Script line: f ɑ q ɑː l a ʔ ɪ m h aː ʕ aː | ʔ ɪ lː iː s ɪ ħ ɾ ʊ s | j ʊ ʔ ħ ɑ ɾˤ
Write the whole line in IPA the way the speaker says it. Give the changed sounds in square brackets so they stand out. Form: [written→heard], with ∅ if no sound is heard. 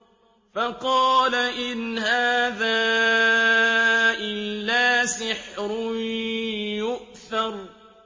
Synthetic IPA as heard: f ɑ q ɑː l a ʔ ɪ [m→n] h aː [ʕ→ð] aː | ʔ ɪ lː [iː→aː] s ɪ ħ ɾ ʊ [s→∅] | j ʊ ʔ [ħ→θ] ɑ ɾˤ